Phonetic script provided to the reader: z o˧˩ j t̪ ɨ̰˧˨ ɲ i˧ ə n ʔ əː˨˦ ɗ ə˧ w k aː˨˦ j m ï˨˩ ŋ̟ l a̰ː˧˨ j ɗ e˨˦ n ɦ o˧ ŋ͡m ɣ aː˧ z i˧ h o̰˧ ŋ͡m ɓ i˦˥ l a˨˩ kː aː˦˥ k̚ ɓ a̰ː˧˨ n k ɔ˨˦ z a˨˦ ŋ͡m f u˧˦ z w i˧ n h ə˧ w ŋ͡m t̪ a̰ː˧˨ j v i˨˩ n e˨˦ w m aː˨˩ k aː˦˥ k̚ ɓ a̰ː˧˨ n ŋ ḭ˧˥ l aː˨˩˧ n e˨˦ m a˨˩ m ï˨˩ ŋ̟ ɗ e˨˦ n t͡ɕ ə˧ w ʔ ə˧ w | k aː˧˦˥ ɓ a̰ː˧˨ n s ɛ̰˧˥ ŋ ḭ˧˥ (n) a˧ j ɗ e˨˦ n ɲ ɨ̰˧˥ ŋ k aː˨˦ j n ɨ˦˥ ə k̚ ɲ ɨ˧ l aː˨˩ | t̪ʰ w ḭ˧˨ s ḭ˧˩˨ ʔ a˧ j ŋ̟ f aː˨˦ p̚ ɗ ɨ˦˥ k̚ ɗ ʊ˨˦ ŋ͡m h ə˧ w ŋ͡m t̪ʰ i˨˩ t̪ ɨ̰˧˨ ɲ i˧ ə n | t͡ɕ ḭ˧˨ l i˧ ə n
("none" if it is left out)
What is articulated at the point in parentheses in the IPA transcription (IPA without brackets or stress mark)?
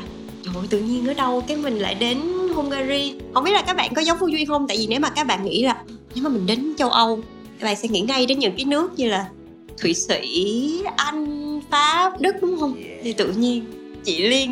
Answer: ŋ